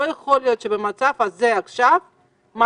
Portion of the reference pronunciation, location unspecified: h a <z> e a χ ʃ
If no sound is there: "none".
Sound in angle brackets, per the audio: z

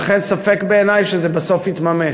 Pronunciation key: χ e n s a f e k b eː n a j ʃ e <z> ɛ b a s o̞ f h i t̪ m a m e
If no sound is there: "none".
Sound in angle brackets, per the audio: z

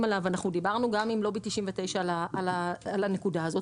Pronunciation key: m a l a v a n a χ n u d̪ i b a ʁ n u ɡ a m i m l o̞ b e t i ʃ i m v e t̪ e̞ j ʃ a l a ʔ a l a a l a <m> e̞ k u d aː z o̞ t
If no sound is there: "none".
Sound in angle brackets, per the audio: n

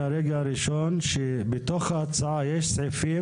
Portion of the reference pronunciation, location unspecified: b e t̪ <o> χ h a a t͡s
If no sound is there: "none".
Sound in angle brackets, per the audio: o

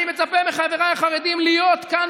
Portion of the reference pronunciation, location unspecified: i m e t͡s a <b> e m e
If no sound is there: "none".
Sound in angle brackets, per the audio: p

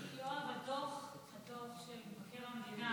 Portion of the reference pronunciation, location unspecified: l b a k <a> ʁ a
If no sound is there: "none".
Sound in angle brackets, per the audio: e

